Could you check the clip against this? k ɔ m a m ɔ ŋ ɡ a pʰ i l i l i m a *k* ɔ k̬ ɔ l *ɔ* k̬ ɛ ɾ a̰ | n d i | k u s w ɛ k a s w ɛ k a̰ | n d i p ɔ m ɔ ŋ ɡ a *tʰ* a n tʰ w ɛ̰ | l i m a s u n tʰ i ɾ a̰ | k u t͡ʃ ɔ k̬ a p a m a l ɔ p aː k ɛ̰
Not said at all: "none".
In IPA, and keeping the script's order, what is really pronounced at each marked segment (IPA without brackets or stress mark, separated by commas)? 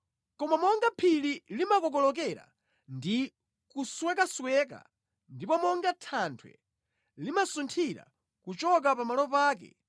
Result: k, ɔ, tʰ